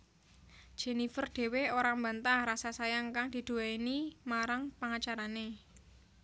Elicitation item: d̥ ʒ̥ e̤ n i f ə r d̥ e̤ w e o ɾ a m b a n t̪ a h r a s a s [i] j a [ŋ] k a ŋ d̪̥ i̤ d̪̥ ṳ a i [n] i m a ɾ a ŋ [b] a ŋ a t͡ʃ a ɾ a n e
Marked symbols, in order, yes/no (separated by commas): no, yes, yes, no